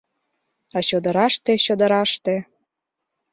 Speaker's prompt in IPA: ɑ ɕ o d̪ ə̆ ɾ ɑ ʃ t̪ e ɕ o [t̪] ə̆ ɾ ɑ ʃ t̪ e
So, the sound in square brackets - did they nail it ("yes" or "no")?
no